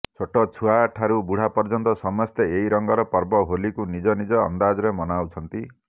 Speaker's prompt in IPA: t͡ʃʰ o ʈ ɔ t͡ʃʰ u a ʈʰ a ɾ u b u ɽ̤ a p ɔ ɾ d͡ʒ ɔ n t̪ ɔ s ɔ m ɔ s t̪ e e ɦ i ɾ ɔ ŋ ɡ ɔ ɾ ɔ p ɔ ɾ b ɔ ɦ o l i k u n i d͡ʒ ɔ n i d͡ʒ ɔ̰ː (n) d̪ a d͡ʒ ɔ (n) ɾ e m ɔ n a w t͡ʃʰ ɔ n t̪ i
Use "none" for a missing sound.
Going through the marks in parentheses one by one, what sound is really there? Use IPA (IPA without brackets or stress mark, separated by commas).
n, none